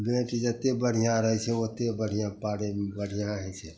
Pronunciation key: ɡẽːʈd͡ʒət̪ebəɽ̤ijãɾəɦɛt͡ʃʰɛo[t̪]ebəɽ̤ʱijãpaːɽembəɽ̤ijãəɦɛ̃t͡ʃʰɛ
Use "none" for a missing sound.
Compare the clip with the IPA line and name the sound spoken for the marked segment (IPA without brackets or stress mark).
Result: t̪